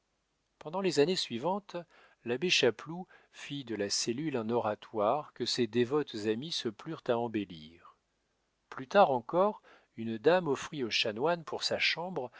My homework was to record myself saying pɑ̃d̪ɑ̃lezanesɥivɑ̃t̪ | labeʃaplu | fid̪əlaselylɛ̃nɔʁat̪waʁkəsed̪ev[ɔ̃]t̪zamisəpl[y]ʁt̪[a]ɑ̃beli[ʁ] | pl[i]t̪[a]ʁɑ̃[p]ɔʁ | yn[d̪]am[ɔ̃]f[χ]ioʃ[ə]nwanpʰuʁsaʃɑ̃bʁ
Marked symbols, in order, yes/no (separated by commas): no, yes, yes, yes, no, yes, no, yes, no, yes, no